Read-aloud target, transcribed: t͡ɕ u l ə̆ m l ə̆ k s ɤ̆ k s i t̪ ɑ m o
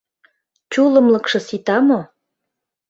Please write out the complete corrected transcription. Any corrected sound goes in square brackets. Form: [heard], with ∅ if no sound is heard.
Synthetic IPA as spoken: t͡ɕ u l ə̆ m l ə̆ k [ʃ] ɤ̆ [∅] s i t̪ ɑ m o

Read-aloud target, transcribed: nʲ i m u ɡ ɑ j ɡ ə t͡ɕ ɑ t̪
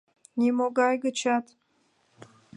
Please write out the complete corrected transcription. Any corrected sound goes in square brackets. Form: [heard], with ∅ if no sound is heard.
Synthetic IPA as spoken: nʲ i m [o] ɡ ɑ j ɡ ə t͡ɕ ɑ t̪

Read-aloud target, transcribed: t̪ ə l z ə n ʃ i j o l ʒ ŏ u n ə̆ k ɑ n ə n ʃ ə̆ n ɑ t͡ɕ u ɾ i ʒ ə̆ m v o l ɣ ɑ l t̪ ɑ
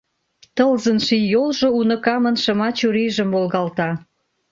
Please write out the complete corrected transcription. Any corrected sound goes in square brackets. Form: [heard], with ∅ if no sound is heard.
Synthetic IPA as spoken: t̪ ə l z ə n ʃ i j o l ʒ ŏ u n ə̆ k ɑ [m] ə n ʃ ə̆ [m] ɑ t͡ɕ u ɾ i ʒ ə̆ m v o l ɣ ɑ l t̪ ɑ

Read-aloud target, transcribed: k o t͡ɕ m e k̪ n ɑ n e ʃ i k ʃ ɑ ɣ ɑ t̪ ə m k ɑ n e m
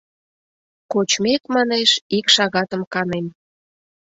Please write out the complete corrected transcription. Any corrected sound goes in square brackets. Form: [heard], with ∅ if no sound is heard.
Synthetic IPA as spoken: k o t͡ɕ m e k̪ [m] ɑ n e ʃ i k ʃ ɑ ɣ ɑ t̪ ə m k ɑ n e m

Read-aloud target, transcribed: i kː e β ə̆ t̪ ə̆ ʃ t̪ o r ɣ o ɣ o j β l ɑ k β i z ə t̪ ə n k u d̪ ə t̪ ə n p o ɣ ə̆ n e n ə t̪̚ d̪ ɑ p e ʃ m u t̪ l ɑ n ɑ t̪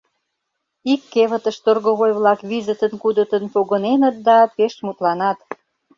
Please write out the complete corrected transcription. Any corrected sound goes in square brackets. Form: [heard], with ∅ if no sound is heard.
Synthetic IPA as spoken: i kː e β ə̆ t̪ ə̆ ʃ t̪ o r ɣ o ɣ o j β l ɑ k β i z ə t̪ ə n k u d̪ ə t̪ ə n p o ɣ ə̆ n e n ə t̪̚ d̪ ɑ p e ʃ m u t̪ l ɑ n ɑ t̪

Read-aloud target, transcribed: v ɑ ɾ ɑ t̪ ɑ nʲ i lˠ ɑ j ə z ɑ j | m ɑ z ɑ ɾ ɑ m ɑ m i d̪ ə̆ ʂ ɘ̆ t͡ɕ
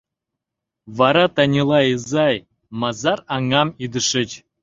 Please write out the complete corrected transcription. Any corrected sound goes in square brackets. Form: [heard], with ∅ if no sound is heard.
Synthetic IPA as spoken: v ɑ ɾ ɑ t̪ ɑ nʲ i lˠ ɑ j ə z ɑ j | m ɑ z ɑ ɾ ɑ [ŋ] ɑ m i d̪ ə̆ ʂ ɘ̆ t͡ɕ

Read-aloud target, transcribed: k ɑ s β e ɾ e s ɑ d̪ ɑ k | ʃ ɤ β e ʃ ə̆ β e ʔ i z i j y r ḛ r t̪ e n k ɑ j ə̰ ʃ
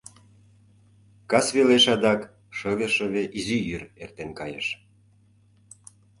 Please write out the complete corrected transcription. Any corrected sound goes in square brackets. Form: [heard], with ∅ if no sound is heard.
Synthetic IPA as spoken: k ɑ s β e [l] e [ʃ] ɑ d̪ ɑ k | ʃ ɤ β e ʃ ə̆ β e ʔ i z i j y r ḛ r t̪ e n k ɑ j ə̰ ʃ

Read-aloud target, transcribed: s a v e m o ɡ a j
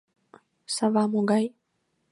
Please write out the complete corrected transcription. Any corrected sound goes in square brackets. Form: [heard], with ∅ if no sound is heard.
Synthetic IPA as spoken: s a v [a] m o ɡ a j

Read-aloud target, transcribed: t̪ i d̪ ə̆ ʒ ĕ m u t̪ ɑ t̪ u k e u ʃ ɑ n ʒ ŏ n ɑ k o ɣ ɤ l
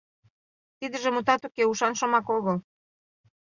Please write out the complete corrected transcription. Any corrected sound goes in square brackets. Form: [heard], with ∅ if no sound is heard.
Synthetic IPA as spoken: t̪ i d̪ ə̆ ʒ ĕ m u t̪ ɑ t̪ u k e u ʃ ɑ n [ʃ] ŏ [m] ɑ k o ɣ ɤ l

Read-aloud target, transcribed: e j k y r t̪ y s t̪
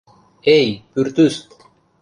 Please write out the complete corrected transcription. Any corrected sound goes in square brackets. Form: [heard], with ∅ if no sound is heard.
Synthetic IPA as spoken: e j [p] y [ɾ] t̪ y s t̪

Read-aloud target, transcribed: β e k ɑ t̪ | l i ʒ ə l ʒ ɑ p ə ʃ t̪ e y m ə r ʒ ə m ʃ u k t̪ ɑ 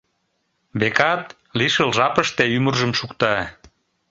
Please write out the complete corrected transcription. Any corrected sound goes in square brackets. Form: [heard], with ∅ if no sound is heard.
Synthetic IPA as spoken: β e k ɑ t̪ | l i [ʃ] ə l ʒ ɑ p ə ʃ t̪ e y m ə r ʒ ə m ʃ u k t̪ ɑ

